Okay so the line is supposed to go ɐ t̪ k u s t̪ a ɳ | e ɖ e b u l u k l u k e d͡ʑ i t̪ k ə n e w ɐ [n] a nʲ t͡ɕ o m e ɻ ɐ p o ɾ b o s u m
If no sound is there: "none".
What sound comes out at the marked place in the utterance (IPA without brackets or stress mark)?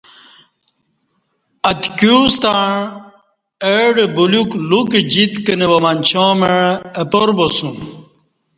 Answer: m